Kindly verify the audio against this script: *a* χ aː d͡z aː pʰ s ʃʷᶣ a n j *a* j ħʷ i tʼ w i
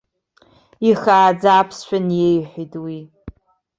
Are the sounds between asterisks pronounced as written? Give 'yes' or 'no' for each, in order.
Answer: no, no

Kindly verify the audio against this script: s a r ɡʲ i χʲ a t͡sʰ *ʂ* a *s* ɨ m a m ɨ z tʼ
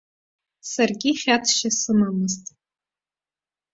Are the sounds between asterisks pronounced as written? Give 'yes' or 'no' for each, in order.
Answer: no, yes

